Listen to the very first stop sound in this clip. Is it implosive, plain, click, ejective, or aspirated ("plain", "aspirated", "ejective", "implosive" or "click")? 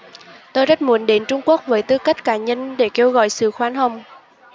plain